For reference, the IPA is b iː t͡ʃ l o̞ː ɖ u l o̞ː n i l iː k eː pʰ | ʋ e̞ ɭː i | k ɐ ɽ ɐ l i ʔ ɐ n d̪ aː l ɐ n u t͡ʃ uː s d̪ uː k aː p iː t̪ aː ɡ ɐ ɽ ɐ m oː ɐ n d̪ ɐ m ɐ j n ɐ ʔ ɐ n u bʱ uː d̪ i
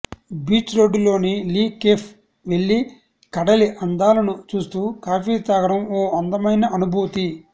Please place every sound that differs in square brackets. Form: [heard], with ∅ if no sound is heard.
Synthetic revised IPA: b iː t͡ʃ [ɾ] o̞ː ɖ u l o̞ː n i l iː k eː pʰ | ʋ e̞ ɭː i | k ɐ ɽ ɐ l i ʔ ɐ n d̪ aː l ɐ n u t͡ʃ uː s [t̪] uː k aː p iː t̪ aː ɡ ɐ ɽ ɐ m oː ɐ n d̪ ɐ m ɐ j n ɐ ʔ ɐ n u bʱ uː [t̪] i